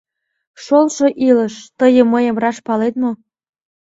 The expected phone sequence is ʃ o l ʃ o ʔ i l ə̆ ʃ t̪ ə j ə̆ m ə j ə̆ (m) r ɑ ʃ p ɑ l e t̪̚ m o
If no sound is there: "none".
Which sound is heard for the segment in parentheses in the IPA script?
m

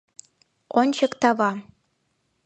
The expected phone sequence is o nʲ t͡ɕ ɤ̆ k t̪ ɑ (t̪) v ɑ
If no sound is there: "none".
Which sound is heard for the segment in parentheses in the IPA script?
none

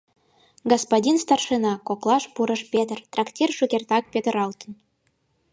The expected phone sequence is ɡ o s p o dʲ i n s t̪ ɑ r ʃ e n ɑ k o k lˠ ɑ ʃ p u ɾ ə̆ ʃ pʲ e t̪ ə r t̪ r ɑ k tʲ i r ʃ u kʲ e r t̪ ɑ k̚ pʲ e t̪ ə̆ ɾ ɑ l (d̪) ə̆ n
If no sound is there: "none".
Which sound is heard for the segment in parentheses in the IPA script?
t̪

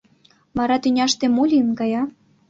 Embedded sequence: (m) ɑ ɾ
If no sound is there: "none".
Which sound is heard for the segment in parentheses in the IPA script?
m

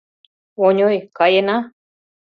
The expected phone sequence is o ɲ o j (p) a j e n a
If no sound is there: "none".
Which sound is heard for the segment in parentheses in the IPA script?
k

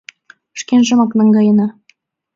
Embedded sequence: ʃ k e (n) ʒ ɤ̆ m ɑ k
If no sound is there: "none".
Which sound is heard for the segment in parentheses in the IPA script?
n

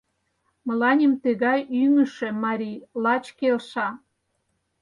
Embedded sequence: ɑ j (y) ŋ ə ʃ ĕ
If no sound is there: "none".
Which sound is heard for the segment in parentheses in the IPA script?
y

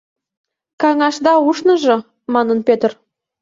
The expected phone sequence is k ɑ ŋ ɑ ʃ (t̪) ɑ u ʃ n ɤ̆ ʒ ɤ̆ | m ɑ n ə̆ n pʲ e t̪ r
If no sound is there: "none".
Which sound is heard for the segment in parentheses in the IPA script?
d̪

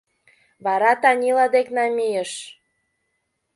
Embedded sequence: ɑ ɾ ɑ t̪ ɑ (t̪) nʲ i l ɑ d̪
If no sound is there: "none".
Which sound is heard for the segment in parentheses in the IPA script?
none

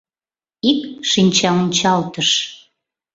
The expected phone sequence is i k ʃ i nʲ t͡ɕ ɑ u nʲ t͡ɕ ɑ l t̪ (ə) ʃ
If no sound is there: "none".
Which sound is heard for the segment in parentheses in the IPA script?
ə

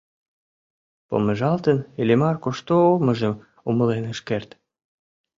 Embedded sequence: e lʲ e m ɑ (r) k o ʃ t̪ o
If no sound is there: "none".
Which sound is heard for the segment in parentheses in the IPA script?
r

